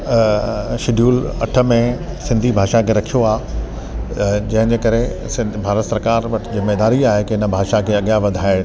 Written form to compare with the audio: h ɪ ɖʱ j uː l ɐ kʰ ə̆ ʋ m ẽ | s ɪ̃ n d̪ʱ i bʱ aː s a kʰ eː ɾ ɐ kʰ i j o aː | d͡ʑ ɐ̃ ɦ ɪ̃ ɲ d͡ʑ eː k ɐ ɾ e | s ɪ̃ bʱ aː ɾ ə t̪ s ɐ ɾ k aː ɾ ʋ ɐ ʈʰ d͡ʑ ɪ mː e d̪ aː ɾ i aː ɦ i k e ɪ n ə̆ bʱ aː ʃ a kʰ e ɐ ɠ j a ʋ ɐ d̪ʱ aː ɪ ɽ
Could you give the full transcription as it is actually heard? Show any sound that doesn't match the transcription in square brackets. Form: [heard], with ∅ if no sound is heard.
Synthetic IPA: [ʃ] ɪ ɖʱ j uː l ɐ [ʈʰ] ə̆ [∅] m ẽ | s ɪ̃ n d̪ʱ i bʱ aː [ʃ] a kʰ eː ɾ ɐ kʰ i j o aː | d͡ʑ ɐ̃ ɦ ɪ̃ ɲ d͡ʑ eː k ɐ ɾ e | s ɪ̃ bʱ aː ɾ ə t̪ s ɐ ɾ k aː ɾ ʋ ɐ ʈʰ d͡ʑ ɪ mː e d̪ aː ɾ i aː ɦ [e] k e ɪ n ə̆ bʱ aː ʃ a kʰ e ɐ ɠ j a ʋ ɐ d̪ʱ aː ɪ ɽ